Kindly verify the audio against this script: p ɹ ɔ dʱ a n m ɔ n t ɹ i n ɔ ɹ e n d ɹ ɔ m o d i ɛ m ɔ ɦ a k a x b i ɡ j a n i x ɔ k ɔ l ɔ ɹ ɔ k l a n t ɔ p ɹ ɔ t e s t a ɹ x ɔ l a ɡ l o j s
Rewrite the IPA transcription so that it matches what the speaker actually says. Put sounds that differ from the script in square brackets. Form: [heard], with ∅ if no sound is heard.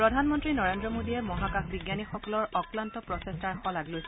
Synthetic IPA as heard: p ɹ ɔ dʱ a n m ɔ n t ɹ i n ɔ ɹ e n d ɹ ɔ m o d i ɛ m ɔ ɦ a k a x b i ɡ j a n i x ɔ k ɔ l ɔ ɹ ɔ k l a n t ɔ p ɹ ɔ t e s t a ɹ x ɔ l a ɡ l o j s